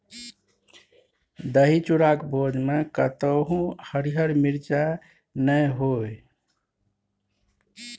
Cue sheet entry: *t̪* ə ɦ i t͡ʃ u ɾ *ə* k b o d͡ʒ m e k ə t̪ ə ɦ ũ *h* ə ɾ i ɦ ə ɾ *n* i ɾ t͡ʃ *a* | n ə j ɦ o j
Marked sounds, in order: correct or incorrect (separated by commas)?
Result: incorrect, incorrect, correct, incorrect, correct